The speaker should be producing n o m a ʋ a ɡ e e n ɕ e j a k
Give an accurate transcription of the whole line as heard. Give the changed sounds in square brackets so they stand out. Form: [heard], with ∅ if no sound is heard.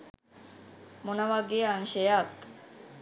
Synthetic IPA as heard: [m] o [n] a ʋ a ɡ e [a] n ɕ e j a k